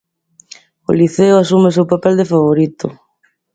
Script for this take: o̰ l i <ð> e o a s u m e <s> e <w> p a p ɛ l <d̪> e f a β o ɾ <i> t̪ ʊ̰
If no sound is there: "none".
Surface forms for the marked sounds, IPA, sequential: θ, s, w, d̪, i

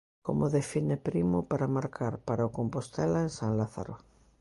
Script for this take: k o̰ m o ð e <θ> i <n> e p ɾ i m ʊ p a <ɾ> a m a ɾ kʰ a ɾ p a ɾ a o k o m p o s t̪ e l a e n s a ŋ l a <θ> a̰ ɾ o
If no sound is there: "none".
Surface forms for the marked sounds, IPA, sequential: f, n, ɾ, θ

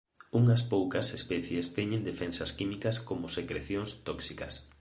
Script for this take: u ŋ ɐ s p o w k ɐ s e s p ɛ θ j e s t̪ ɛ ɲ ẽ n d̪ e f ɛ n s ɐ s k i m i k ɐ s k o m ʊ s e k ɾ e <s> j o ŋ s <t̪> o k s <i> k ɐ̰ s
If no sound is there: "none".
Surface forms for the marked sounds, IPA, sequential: θ, t̪, i

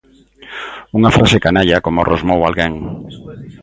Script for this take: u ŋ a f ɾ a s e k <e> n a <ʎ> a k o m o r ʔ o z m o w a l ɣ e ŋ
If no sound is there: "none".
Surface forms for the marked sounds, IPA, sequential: a, ʎ

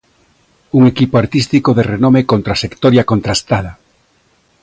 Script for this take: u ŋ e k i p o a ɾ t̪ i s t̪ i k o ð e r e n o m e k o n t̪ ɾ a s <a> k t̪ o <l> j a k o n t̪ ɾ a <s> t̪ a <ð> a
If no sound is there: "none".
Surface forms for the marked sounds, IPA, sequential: e, ɾ, s, ð

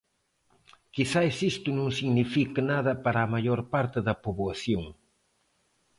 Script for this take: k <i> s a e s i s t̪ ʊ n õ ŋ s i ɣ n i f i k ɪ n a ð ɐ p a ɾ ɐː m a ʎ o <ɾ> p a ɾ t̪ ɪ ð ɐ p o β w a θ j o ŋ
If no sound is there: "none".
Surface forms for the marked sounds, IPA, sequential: i, ɾ

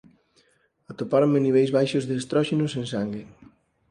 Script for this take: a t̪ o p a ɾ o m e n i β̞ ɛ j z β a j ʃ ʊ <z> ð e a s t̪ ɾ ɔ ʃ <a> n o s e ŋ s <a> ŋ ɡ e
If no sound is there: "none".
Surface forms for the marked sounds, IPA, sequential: z, e, a

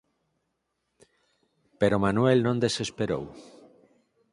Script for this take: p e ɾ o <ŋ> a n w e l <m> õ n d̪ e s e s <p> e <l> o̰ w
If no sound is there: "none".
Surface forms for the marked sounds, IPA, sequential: m, n, p, ɾ

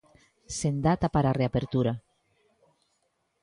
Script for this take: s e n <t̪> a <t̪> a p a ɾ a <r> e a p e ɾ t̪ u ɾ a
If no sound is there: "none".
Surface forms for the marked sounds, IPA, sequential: d̪, t̪, r

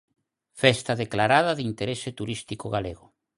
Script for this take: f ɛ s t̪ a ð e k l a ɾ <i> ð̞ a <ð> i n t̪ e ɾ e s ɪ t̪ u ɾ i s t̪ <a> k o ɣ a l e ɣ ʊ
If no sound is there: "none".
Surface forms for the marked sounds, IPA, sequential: a, ð, i

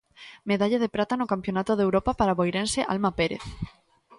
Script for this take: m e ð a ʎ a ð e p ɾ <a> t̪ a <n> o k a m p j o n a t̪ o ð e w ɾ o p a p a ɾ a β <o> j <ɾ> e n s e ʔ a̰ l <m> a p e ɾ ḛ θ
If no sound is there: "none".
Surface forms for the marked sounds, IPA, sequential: a, n, o, ɾ, m

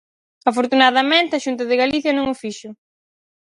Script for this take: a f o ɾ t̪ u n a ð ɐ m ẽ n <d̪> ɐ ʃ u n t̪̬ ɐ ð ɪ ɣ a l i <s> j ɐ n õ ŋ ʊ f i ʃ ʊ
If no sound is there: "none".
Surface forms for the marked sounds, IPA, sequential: t̪, θ

